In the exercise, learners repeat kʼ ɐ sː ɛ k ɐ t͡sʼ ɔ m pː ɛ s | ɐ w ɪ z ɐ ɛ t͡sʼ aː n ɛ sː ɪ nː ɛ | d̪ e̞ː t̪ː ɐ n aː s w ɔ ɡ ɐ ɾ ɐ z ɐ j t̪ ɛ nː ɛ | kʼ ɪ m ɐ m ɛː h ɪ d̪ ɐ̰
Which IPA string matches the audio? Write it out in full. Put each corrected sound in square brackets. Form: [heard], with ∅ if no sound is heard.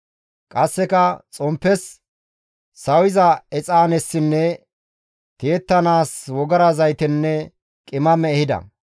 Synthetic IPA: kʼ ɐ sː ɛ k ɐ t͡sʼ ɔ m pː ɛ s | ɐ w ɪ z ɐ ɛ t͡sʼ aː n ɛ sː ɪ nː ɛ | [t̪] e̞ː t̪ː ɐ n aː s w ɔ ɡ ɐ ɾ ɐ z ɐ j t̪ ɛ nː ɛ | kʼ ɪ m ɐ m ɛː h ɪ d̪ ɐ̰